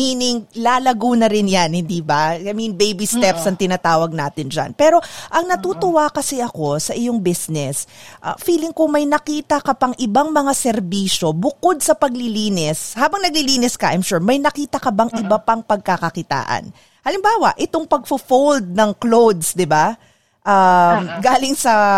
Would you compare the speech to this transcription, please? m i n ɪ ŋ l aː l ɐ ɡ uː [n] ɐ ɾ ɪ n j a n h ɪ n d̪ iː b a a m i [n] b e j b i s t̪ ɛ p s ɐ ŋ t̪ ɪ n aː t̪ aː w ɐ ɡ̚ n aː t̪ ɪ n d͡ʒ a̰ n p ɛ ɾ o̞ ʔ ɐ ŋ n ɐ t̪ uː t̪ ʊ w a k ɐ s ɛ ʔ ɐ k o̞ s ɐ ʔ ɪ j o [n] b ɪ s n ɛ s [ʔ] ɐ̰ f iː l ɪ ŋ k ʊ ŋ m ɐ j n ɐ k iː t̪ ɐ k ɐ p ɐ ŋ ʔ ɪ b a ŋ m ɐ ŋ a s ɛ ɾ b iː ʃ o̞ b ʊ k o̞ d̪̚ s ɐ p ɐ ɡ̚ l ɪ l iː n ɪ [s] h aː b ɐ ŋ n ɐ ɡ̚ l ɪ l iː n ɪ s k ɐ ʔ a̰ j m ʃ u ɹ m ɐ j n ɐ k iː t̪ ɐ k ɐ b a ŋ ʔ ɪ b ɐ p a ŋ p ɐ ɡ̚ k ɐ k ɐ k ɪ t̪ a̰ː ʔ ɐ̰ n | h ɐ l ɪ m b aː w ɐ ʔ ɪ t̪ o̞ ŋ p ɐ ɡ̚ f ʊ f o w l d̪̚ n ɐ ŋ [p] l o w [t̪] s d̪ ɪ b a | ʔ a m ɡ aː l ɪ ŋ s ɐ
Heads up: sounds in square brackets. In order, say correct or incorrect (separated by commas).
correct, correct, incorrect, correct, correct, incorrect, incorrect